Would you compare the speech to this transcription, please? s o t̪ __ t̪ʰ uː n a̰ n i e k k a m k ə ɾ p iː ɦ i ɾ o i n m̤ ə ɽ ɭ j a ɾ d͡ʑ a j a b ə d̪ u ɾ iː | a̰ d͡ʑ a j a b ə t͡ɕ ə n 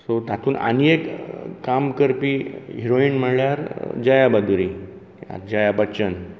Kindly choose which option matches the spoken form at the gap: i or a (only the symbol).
a